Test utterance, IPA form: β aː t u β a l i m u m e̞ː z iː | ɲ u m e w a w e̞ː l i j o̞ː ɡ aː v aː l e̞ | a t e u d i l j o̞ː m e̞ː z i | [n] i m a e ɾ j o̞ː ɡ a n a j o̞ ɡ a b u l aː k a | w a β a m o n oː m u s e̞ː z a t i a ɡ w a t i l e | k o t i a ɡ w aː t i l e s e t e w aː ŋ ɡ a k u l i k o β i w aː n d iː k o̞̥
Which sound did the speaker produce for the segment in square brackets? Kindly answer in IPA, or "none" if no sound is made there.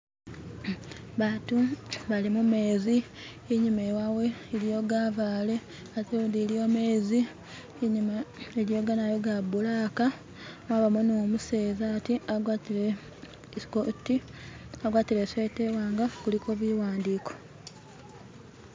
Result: ɲ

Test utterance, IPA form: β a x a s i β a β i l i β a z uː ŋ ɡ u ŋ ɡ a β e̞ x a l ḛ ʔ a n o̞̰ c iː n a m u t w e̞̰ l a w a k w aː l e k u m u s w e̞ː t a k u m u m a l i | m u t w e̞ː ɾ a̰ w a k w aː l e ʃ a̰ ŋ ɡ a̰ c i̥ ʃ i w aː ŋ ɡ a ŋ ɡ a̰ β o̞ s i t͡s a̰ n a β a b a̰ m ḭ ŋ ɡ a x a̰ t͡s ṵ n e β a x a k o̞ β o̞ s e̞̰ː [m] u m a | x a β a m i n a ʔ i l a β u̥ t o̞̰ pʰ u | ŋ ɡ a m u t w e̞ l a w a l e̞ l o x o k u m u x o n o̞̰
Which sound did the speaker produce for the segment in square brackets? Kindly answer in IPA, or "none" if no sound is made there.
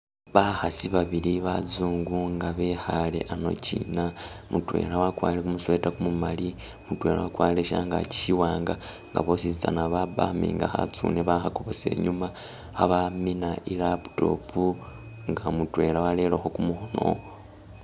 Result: ɲ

